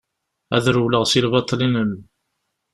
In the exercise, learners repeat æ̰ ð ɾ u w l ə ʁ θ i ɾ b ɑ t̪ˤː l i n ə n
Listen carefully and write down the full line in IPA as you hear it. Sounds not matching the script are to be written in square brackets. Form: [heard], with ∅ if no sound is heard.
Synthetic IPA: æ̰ ð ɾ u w l ə ʁ [s] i [l] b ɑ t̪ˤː l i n ə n